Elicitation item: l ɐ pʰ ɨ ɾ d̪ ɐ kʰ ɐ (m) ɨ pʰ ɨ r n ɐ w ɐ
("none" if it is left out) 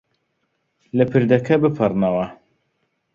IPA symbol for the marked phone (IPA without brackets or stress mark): b